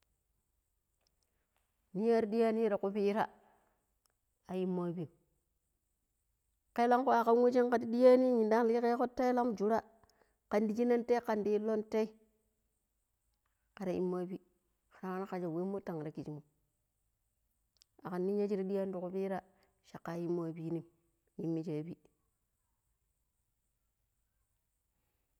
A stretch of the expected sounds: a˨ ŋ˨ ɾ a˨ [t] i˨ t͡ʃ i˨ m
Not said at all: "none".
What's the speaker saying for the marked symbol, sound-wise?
k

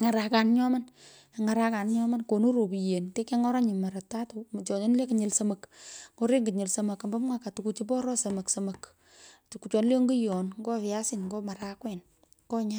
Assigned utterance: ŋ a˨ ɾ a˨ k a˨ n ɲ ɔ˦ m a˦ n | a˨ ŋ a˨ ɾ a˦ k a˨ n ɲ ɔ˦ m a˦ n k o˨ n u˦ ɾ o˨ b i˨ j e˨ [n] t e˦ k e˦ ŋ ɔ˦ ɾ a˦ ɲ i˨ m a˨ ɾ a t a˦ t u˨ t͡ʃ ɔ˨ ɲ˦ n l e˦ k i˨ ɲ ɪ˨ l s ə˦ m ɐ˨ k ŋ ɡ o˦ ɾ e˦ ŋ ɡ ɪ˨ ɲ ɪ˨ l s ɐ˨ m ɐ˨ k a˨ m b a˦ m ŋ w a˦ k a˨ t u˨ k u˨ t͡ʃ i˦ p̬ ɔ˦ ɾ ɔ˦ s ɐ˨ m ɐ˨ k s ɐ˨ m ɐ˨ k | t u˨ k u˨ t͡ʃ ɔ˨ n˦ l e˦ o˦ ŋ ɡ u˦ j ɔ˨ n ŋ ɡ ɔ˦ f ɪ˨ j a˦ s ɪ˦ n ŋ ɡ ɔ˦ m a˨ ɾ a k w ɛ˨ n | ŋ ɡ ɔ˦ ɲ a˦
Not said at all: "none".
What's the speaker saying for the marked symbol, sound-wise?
n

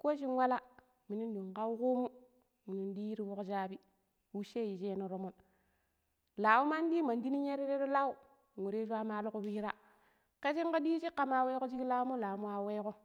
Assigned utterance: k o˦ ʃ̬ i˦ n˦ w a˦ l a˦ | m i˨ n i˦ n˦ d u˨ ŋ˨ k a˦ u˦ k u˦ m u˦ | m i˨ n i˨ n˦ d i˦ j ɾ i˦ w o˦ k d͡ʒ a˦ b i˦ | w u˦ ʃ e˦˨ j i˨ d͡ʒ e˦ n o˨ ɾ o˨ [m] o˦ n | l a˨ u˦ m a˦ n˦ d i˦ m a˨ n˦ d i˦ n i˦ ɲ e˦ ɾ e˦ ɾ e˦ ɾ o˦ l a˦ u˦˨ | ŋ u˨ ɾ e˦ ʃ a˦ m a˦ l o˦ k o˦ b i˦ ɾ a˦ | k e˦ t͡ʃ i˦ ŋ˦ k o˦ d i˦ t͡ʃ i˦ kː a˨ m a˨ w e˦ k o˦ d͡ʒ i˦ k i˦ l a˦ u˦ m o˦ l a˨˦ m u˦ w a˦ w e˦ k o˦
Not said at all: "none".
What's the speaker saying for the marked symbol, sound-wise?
m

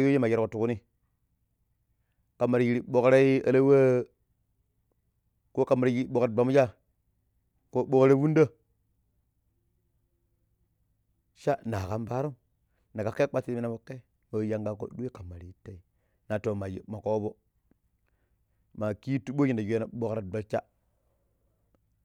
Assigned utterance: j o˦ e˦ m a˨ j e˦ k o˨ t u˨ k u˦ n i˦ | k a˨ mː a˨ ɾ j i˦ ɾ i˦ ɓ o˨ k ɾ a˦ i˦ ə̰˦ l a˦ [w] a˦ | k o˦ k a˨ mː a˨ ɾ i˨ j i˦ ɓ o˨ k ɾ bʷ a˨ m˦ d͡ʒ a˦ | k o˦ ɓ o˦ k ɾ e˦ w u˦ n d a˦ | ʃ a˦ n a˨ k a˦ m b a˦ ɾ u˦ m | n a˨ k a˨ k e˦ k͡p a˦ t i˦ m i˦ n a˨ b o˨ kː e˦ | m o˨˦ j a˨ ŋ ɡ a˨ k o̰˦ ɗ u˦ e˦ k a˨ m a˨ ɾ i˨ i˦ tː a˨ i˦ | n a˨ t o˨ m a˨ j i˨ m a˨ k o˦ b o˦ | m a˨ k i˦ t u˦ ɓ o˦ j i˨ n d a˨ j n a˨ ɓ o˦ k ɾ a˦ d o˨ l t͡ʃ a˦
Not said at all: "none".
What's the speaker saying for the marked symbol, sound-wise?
w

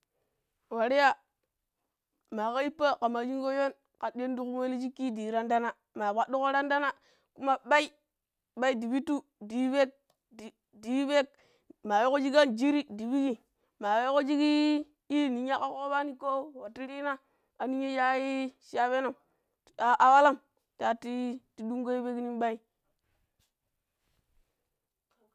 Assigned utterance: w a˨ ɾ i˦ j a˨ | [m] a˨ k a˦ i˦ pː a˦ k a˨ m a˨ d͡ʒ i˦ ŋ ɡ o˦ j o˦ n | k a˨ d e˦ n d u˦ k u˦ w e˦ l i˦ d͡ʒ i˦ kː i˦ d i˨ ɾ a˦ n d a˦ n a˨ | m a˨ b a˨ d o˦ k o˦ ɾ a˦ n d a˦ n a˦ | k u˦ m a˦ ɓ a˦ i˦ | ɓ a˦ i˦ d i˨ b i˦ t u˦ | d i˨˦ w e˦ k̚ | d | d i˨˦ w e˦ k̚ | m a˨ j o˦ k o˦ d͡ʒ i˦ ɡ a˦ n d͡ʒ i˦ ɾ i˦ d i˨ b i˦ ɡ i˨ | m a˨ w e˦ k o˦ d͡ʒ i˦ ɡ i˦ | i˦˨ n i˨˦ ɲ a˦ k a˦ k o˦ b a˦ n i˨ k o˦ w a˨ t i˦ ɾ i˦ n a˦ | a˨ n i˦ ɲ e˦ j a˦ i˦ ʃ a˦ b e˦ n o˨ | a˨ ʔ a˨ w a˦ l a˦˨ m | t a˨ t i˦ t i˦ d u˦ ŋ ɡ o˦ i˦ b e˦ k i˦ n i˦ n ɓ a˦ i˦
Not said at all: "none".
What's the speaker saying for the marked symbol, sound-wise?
m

